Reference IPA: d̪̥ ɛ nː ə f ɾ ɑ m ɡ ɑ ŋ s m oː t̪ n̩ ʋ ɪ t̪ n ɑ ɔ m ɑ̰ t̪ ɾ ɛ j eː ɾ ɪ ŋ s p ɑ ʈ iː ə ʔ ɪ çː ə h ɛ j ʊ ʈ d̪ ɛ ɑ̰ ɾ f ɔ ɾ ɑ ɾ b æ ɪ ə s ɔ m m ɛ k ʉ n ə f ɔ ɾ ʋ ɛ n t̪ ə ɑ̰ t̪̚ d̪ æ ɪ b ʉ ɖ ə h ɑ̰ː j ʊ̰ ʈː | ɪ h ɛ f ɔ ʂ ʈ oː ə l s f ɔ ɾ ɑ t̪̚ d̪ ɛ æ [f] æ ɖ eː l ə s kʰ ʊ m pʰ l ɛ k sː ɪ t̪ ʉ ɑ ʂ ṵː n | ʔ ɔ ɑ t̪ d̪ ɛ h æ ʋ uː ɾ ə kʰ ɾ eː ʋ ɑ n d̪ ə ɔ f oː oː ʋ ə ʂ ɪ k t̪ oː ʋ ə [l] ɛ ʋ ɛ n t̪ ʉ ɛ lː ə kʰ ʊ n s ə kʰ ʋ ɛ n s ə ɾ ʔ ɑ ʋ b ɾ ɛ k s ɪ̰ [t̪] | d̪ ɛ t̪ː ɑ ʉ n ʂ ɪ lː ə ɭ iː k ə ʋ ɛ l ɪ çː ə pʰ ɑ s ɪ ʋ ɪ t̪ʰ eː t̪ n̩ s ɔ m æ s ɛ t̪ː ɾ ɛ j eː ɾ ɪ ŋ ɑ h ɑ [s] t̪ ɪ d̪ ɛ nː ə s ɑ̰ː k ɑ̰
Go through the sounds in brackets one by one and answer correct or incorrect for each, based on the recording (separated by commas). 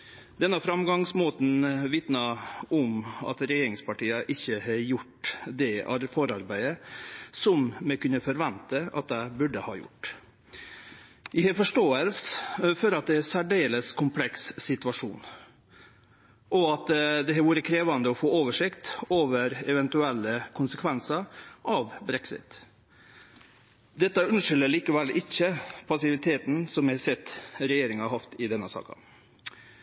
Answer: incorrect, incorrect, correct, incorrect